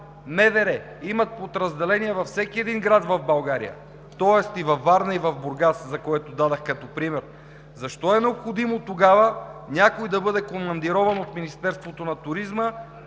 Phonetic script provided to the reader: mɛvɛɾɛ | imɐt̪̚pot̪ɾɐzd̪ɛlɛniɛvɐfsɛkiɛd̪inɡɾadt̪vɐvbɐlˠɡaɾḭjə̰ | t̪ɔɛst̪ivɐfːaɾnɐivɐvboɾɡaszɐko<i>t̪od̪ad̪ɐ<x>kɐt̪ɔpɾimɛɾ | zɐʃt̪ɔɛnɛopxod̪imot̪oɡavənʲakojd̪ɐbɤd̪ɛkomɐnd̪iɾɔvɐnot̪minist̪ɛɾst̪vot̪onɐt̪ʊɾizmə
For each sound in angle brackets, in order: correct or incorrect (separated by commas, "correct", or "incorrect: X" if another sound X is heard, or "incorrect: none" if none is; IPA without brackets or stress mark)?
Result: incorrect: ɛ, correct